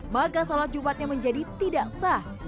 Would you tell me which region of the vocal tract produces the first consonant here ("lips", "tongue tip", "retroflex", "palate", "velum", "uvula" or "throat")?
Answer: lips